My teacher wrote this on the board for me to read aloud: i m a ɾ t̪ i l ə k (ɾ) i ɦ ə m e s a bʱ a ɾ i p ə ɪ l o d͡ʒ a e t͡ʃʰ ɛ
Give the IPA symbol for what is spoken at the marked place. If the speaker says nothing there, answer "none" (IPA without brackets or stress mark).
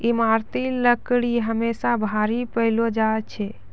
ɽ